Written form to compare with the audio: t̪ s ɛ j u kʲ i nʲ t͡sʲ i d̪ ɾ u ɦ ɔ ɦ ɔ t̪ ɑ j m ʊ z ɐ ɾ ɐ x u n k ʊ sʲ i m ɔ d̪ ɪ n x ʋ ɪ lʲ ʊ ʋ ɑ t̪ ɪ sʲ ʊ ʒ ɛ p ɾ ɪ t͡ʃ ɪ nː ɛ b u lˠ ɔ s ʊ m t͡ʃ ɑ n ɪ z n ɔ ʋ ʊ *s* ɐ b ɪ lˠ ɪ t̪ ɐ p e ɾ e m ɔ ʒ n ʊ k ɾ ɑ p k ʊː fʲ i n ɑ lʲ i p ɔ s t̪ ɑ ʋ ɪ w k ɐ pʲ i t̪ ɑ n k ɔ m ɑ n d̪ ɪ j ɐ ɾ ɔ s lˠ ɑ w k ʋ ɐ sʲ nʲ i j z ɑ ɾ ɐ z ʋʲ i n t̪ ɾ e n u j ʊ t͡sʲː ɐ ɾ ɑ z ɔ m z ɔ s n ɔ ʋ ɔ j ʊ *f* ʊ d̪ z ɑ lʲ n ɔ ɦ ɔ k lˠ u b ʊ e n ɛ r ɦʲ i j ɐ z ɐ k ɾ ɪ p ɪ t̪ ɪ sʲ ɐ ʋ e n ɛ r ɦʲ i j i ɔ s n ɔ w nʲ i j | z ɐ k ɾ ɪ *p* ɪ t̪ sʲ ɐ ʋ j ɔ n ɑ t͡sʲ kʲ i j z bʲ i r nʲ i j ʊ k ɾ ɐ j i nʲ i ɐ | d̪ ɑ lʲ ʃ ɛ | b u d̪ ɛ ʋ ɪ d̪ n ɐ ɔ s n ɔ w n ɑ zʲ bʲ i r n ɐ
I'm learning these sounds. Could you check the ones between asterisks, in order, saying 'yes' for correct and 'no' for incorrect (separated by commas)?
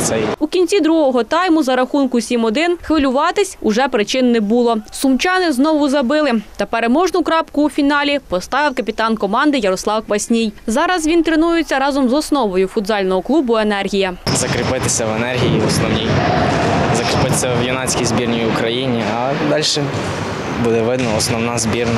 no, yes, yes